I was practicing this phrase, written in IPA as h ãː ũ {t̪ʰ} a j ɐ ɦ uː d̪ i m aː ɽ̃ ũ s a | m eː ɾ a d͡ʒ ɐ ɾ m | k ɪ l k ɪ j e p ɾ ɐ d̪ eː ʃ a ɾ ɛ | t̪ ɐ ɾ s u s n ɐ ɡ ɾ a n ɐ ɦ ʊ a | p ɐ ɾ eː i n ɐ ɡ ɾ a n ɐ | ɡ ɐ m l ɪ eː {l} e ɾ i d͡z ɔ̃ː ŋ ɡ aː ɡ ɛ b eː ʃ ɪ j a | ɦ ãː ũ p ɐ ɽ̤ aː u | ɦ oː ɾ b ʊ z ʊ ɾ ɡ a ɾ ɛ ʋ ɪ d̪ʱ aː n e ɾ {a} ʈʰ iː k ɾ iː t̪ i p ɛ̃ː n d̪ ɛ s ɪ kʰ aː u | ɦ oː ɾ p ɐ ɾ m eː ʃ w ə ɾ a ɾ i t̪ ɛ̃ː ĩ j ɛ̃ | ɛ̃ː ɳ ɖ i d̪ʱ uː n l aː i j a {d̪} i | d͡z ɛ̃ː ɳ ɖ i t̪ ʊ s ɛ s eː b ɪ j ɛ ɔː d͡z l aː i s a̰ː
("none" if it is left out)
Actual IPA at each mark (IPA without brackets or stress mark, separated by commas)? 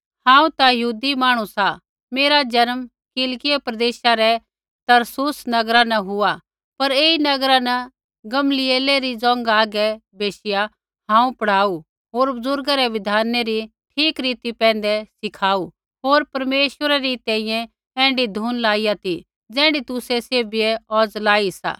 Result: t̪, l, i, t̪